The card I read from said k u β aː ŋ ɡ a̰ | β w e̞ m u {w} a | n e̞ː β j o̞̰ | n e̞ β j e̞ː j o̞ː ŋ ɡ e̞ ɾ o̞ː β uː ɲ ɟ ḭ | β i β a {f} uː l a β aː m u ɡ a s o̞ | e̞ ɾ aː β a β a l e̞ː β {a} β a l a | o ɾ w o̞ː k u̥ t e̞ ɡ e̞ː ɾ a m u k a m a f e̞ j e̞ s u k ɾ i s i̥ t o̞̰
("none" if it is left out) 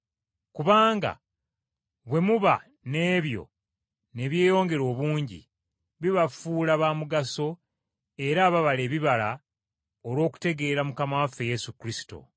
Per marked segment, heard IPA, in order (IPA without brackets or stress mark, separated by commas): β, f, i